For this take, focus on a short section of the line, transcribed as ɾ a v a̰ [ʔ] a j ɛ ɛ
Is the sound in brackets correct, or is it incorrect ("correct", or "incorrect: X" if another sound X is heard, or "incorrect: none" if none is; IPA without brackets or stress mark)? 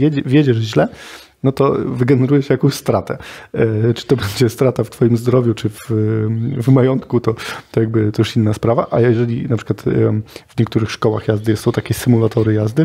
correct